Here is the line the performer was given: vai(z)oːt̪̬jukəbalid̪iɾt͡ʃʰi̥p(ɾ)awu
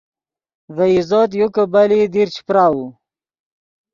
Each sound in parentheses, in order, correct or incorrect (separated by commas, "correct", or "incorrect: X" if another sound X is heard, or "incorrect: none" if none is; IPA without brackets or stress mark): correct, correct